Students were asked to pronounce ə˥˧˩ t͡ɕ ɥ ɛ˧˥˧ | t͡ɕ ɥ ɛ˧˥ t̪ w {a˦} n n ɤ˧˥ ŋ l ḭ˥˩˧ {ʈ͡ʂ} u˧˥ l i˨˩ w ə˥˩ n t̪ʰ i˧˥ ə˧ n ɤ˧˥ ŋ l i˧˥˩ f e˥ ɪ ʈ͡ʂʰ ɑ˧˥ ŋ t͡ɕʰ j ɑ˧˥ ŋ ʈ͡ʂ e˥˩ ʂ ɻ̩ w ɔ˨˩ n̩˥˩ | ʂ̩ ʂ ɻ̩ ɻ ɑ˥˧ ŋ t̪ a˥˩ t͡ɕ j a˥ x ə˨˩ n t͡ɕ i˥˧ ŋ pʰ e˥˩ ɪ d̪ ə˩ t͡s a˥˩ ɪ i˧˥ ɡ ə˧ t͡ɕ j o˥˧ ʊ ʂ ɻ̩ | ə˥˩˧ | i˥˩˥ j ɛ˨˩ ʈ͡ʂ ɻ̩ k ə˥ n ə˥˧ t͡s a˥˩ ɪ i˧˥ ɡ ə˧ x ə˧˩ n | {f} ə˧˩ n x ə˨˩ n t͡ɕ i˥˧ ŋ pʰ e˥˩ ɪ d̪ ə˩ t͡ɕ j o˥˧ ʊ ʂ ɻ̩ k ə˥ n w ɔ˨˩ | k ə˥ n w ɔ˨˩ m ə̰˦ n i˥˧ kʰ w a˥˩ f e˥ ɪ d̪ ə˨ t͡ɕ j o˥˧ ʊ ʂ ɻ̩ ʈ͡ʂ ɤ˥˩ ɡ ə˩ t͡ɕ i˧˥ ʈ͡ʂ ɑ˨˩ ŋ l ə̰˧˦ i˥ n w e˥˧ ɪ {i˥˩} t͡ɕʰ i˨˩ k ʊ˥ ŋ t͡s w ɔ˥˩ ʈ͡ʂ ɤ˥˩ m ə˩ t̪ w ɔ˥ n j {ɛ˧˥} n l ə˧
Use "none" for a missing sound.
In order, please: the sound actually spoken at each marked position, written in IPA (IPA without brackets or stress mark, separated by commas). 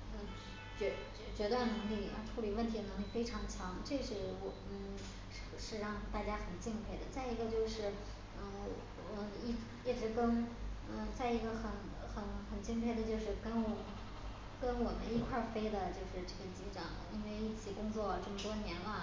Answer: a˥˩, ʈ͡ʂʰ, x, i˥˩, ɛ˧˥